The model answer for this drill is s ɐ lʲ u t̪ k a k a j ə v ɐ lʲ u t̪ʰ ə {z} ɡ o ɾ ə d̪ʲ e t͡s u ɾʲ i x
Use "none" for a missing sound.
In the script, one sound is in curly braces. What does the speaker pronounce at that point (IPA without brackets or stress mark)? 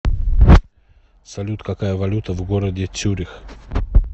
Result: v